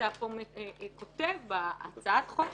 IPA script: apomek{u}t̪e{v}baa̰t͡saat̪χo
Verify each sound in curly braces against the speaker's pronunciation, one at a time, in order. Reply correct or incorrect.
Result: incorrect, correct

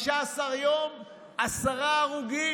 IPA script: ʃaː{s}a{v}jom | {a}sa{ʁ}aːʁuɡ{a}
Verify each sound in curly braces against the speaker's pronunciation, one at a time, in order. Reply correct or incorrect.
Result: correct, incorrect, correct, correct, incorrect

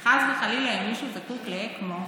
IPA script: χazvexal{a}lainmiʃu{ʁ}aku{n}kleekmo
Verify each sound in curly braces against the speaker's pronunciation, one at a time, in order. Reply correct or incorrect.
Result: incorrect, incorrect, incorrect

